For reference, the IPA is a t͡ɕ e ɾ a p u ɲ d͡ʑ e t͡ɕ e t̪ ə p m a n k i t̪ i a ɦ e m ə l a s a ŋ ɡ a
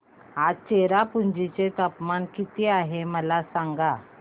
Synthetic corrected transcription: a t͡ɕ e ɾ a p u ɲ d͡ʑ i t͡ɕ e t̪ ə p m a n k i t̪ i a ɦ e m ə l a s a ŋ ɡ a